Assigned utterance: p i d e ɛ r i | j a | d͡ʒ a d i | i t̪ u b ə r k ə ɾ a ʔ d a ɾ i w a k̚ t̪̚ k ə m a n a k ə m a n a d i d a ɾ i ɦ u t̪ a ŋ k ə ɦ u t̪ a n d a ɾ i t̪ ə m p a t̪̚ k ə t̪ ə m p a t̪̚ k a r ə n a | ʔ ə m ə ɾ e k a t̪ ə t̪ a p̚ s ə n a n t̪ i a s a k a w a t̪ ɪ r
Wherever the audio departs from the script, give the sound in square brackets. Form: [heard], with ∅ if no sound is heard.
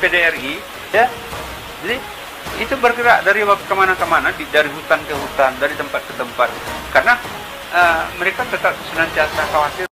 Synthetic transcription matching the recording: p [e] d e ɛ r i | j a | d͡ʒ a d i | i t̪ u b ə r k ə ɾ a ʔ d a ɾ i w a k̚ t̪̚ k ə m a n a k ə m a n a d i d a ɾ i ɦ u t̪ a [n] k ə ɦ u t̪ a n d a ɾ i t̪ ə m p a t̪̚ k ə t̪ ə m p a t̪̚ k a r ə n a | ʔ ə m ə ɾ e k a t̪ ə t̪ a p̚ s ə n a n t̪ i a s a k a w a t̪ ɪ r